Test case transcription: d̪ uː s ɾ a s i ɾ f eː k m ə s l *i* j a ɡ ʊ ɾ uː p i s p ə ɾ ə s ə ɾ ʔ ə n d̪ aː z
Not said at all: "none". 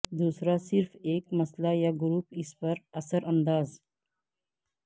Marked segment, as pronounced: a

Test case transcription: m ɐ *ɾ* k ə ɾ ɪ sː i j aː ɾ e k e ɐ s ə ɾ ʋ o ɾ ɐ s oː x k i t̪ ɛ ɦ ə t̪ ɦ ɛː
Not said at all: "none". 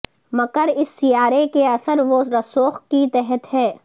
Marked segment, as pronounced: none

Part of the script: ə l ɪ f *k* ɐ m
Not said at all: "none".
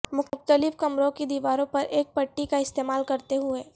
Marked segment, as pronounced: k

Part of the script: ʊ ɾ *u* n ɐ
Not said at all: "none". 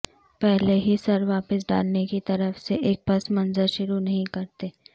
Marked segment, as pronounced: u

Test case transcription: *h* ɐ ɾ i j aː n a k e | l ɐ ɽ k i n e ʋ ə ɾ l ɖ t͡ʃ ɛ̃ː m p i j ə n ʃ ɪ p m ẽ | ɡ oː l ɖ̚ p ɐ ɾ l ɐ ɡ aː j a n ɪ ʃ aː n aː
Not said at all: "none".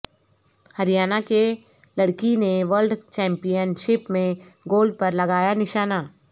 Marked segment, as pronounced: h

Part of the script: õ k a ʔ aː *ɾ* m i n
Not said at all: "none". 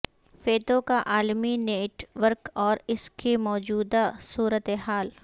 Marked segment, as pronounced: l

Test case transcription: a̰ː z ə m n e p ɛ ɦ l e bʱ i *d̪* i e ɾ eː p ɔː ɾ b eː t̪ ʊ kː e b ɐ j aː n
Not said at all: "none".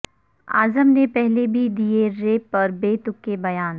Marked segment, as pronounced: d̪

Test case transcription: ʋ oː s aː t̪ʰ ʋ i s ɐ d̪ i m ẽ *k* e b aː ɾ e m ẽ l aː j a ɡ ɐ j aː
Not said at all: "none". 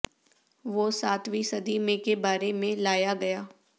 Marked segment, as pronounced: k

